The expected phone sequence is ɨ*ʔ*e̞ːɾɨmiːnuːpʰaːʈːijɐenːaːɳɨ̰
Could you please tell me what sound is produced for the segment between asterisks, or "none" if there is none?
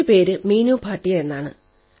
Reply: p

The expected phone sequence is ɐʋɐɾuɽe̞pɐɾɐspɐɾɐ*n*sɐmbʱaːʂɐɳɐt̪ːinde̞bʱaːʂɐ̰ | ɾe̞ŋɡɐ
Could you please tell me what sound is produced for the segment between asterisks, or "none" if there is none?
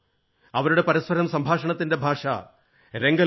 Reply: m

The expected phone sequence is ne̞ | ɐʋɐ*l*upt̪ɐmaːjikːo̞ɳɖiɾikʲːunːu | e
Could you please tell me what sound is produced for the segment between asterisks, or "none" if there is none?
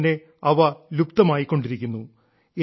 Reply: l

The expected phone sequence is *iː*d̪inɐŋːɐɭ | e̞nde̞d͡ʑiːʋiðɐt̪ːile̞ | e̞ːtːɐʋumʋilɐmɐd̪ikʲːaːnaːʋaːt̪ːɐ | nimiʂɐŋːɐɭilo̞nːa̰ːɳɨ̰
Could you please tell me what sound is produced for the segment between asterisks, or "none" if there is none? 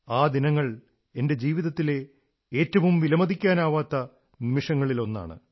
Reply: aː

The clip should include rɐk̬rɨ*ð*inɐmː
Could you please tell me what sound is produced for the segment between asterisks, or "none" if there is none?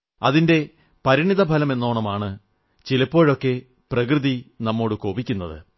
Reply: ð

